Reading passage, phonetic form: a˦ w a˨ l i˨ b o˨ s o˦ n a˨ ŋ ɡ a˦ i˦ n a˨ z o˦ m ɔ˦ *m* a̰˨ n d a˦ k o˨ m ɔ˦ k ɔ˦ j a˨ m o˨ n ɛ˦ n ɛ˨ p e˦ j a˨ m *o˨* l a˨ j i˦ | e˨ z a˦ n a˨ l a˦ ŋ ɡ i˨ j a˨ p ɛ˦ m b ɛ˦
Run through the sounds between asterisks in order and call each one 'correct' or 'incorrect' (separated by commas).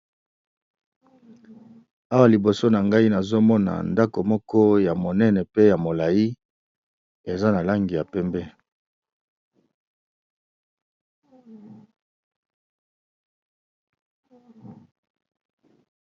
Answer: incorrect, correct